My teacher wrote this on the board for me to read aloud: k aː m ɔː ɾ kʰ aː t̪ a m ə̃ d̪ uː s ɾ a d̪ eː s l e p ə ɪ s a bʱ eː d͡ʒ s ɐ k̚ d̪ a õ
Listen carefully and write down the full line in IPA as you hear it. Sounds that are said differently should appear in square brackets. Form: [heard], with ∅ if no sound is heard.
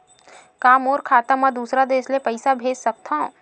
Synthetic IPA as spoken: k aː m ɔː ɾ kʰ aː t̪ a m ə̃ d̪ uː s ɾ a d̪ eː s l e p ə ɪ s a bʱ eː d͡ʒ s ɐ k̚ [t̪] a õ